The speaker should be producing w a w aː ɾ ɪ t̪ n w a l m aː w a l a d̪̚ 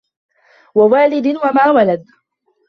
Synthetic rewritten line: w a w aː l ɪ d̪ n w a m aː w a l a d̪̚